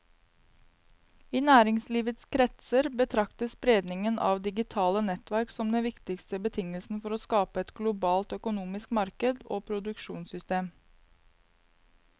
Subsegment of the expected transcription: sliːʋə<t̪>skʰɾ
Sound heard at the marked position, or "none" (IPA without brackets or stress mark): t̪